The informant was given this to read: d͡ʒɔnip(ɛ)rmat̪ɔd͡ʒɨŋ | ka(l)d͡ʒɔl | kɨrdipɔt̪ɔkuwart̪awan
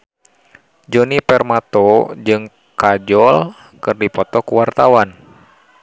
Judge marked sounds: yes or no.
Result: yes, no

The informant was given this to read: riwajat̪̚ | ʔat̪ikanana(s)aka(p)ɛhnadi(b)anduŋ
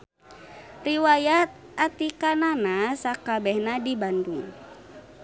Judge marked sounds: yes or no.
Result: yes, no, yes

